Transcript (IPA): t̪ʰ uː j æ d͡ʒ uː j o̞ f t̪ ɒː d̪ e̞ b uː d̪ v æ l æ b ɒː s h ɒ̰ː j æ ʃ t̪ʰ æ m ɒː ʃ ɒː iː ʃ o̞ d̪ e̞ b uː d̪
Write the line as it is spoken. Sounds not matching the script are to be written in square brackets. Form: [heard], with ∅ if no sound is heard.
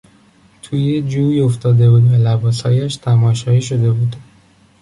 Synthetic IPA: t̪ʰ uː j [e] d͡ʒ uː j o̞ f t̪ ɒː d̪ e̞ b uː d̪ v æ l æ b ɒː s h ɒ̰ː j æ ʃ t̪ʰ æ m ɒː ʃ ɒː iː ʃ o̞ d̪ e̞ b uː d̪